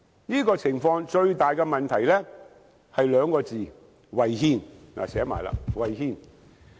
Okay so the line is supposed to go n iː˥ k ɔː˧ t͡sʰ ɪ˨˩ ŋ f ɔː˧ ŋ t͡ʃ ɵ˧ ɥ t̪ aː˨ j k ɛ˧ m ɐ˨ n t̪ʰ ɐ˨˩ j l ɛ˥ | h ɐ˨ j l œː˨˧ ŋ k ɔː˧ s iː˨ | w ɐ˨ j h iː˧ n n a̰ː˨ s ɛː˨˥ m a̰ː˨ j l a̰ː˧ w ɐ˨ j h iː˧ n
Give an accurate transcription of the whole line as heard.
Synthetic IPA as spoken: n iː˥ k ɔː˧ t͡sʰ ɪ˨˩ ŋ f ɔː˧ ŋ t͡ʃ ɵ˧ ɥ t̪ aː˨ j k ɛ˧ m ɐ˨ n t̪ʰ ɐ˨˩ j l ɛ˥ | h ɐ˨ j l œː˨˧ ŋ k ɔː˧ t͡s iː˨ | w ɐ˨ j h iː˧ n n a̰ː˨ s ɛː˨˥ m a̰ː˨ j l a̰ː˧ w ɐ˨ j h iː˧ n